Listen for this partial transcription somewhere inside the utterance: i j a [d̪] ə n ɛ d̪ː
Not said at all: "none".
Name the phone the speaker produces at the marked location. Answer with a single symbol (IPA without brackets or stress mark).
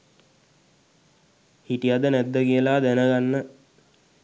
d̪